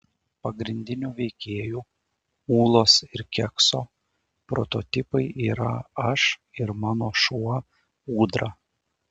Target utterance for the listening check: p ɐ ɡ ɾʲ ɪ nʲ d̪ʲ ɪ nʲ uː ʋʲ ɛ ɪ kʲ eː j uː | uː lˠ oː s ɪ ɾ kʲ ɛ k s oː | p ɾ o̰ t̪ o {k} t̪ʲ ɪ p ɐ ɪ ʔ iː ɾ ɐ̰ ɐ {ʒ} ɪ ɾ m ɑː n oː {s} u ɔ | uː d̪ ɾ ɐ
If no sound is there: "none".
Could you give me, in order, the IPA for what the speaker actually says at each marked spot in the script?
none, ʃ, ʃ

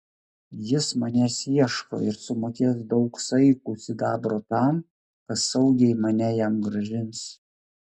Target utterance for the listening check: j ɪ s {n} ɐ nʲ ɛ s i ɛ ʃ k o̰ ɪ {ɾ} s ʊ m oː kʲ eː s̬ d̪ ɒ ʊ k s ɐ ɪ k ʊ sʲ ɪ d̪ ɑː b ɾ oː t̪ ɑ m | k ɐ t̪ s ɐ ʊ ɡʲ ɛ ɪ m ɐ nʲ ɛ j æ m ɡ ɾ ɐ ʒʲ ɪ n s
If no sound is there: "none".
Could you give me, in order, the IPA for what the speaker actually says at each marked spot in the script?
m, ɾ

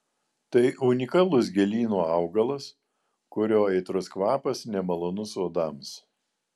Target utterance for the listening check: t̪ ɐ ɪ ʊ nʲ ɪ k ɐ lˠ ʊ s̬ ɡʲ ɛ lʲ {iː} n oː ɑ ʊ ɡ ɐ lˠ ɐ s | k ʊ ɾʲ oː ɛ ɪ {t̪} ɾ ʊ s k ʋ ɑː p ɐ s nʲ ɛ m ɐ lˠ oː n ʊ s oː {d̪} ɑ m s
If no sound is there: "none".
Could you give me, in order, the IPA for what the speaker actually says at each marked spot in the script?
iː, t̪, d̪

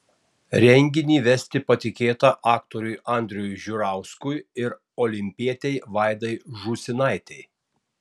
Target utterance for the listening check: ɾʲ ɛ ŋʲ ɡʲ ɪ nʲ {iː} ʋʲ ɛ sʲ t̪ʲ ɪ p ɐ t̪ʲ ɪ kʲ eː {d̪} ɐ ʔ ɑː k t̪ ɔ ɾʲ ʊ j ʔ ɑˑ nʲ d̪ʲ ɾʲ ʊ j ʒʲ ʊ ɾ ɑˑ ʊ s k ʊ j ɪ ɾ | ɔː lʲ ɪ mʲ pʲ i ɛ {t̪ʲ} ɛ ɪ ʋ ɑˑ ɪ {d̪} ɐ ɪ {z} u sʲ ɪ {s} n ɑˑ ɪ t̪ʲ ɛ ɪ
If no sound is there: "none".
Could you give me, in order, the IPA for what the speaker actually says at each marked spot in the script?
iː, t̪, t̪ʲ, d̪, ʒ, none

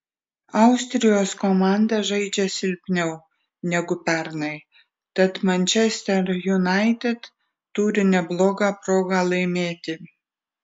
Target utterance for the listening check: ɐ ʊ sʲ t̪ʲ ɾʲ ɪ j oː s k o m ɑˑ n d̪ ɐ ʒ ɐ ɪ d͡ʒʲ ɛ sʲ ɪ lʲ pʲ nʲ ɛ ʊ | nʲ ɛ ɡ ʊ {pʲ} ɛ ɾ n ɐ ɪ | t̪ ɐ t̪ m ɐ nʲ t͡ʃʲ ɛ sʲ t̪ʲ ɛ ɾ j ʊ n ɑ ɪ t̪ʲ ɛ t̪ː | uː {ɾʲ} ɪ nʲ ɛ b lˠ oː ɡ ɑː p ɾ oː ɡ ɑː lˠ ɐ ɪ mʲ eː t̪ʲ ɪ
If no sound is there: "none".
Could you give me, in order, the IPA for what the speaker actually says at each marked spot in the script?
pʲ, ɾʲ

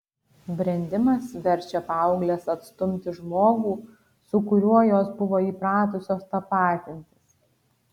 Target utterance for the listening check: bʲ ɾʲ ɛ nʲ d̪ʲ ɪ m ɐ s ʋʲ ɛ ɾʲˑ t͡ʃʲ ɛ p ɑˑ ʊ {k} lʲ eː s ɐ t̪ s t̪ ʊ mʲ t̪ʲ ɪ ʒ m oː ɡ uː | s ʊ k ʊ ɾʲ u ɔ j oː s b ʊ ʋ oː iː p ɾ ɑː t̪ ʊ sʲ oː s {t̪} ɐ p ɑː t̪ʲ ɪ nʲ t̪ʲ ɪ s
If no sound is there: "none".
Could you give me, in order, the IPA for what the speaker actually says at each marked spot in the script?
ɡ, t̪

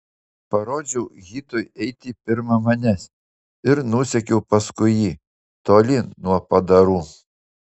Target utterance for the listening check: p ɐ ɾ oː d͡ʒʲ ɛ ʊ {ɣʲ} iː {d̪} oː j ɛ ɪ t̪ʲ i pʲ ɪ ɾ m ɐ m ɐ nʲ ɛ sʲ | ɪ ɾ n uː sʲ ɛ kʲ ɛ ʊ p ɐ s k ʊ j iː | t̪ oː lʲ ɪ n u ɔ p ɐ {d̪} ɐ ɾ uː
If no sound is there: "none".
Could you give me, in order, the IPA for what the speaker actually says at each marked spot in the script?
ɣʲ, t̪, d̪

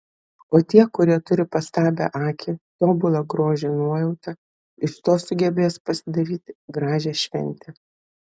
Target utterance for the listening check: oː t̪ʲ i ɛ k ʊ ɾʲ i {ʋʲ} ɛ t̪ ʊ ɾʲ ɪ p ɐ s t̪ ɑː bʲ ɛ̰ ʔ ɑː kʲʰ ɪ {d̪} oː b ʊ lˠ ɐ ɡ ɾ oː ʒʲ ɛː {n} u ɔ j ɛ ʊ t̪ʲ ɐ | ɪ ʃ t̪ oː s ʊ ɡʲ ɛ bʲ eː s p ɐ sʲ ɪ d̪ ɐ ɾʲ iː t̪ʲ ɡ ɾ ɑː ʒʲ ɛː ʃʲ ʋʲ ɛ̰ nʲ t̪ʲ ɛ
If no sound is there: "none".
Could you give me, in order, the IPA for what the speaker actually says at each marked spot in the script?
none, t̪, n

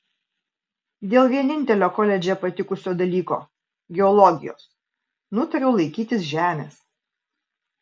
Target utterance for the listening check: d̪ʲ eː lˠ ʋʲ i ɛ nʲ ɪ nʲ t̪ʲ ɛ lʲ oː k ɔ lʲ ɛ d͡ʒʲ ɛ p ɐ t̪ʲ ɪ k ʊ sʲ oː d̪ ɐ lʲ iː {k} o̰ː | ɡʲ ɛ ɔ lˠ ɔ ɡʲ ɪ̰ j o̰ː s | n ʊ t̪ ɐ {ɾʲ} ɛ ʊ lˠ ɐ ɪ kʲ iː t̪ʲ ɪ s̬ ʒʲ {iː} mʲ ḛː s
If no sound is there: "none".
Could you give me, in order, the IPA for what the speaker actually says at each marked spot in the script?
k, ɾʲ, æː

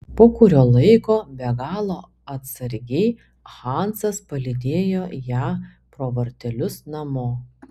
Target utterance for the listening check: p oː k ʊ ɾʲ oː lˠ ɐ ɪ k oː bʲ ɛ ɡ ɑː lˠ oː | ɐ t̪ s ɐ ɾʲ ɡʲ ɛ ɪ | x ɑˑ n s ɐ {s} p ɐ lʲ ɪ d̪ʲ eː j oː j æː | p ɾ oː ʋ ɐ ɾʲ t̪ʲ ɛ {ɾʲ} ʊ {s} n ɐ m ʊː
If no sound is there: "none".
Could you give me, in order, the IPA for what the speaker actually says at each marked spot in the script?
s, lʲ, s

